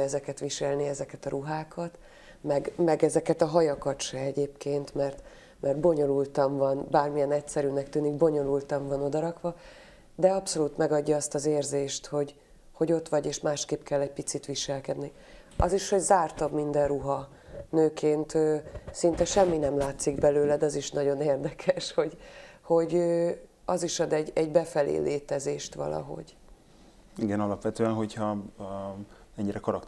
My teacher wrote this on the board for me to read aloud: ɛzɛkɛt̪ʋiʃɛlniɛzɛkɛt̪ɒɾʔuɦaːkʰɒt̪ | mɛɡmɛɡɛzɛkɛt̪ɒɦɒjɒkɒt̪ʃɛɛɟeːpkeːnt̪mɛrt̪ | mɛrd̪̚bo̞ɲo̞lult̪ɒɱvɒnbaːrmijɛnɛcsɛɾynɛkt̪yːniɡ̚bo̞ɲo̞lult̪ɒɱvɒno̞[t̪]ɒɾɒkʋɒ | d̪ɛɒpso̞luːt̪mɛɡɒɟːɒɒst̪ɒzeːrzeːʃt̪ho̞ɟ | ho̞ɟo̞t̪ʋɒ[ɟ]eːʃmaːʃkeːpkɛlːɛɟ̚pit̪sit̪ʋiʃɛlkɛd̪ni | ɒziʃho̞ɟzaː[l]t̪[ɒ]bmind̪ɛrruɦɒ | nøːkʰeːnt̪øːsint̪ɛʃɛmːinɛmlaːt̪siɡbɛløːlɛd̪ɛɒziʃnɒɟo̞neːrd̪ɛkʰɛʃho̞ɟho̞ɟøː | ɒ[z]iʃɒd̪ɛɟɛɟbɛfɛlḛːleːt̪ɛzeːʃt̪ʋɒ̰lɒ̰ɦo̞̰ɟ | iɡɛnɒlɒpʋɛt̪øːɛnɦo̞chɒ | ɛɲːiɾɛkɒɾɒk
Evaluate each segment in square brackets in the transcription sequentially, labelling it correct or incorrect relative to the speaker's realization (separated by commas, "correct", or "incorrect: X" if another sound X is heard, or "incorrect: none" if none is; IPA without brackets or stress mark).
incorrect: d̪, correct, incorrect: r, correct, correct